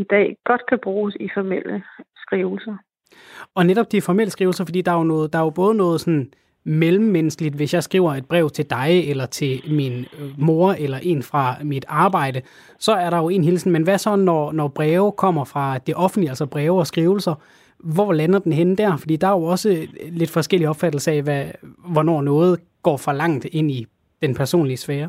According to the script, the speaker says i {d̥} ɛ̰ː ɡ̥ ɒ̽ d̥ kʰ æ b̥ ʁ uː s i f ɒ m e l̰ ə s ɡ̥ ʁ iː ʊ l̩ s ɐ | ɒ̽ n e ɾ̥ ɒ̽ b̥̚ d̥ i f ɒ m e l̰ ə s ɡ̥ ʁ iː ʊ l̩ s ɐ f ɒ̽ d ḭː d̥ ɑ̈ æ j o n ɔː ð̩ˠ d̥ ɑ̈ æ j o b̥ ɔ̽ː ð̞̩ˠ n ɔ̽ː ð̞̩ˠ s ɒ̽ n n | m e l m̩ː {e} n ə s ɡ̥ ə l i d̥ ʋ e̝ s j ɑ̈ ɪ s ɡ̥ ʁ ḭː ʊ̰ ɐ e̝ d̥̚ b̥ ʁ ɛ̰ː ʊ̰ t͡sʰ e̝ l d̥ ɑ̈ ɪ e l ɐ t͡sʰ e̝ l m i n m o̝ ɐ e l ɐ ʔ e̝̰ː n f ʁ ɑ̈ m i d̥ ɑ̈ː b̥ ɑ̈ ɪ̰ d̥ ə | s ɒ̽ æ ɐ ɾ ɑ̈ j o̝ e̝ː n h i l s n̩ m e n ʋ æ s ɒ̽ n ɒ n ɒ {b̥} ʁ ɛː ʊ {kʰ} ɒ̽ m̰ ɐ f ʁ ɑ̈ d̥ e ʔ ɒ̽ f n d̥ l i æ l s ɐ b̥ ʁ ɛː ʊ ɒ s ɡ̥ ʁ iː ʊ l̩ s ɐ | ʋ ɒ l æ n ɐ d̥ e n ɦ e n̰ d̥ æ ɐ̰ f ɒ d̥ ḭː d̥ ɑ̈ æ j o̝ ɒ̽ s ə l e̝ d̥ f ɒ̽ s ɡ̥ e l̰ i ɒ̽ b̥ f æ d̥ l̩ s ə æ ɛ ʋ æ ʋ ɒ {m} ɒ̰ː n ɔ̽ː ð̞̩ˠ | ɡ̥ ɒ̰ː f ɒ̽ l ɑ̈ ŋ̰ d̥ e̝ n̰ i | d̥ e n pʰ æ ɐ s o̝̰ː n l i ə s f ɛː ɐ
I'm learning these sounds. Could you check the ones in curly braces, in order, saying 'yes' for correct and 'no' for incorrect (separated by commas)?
yes, yes, yes, yes, no